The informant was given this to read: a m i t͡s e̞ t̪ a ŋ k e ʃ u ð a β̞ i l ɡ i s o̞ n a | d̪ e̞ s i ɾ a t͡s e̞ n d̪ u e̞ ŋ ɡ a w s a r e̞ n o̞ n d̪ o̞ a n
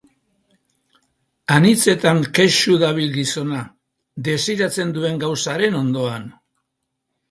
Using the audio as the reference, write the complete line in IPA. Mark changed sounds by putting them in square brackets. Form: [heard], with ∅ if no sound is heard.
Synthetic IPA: a [n] i t͡s e̞ t̪ a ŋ k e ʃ u ð a β̞ i l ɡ i s o̞ n a | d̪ e̞ s i ɾ a t͡s e̞ n d̪ u e̞ ŋ ɡ a w s a [ɾ] e̞ n o̞ n d̪ o̞ a n